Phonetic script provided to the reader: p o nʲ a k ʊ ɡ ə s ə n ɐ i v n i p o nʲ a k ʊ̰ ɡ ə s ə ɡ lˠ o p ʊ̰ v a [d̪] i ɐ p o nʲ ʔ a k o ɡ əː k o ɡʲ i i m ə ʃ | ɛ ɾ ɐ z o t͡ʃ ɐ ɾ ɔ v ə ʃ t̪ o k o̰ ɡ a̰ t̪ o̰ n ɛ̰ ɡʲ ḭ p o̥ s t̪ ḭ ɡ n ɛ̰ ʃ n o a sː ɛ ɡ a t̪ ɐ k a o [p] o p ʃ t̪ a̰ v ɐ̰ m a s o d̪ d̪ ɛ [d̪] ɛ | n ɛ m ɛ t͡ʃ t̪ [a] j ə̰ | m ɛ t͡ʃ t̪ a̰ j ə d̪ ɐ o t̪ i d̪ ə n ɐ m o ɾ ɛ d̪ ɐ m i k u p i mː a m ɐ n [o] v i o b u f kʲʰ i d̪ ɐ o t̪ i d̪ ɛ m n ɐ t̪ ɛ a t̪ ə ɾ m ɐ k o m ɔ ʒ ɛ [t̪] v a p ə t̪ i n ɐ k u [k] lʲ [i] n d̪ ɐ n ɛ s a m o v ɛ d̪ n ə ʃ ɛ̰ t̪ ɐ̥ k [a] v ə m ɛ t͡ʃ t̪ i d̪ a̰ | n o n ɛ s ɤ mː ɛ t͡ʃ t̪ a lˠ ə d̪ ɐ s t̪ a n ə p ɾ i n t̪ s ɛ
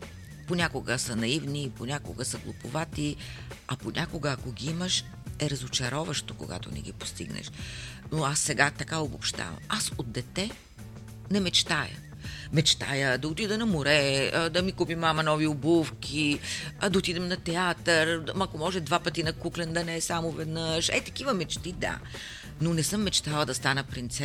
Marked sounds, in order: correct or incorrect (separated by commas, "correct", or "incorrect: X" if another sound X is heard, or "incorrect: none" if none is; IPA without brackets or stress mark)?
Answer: incorrect: t̪, incorrect: b, incorrect: t̪, correct, incorrect: ɔ, incorrect: d̪, correct, incorrect: ɛ, incorrect: i